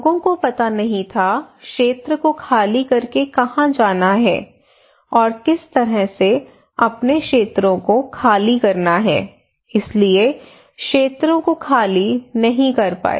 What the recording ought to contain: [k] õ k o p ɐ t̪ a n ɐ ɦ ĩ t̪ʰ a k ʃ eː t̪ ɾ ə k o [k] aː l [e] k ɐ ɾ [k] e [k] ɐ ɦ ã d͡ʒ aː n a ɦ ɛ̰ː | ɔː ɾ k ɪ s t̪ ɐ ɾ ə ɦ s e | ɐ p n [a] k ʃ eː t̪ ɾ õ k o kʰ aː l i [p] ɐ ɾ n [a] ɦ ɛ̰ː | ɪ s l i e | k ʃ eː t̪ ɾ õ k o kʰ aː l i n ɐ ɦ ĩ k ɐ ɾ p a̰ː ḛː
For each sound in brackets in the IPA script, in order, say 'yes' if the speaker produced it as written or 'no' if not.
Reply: no, no, no, yes, yes, no, no, yes

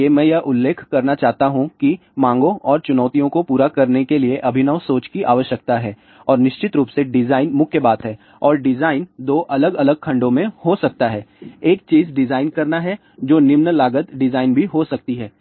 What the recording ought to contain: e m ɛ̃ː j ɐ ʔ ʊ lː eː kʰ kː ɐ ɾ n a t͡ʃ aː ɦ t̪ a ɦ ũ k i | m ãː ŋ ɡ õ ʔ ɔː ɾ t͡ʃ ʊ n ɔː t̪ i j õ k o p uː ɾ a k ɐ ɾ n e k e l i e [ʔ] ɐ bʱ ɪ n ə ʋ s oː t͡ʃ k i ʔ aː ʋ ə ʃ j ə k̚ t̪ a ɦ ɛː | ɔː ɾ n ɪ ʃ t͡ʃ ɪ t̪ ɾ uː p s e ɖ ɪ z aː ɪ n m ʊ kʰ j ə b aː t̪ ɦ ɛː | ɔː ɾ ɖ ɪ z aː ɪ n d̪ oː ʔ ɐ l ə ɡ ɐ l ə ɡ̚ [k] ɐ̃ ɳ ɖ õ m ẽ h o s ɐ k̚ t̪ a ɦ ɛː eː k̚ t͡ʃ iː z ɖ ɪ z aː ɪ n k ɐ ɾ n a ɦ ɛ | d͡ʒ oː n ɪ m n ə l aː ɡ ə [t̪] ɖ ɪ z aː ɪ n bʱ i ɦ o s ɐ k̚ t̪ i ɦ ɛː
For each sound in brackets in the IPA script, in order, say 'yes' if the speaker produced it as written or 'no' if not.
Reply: yes, no, yes

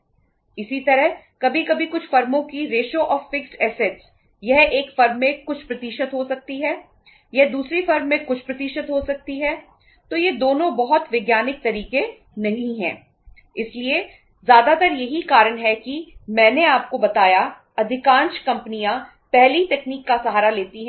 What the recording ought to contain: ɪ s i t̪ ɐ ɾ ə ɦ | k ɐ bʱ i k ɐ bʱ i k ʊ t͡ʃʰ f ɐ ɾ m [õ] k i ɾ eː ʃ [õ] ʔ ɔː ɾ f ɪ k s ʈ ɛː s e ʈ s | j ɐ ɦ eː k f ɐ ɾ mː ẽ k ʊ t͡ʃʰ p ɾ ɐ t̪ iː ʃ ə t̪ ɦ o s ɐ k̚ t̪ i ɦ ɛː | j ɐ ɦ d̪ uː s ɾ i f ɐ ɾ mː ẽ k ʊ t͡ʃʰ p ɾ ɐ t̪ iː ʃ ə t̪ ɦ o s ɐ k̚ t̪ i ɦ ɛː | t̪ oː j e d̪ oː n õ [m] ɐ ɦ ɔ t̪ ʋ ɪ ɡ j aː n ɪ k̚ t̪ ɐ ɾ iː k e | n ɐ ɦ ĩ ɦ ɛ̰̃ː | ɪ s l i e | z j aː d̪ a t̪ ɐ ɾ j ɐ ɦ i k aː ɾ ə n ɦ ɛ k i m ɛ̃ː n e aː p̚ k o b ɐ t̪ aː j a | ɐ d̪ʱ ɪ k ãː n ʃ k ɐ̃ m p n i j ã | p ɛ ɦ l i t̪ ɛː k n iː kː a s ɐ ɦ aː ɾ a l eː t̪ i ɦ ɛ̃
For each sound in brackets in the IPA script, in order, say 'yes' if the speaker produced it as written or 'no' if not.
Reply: yes, no, no

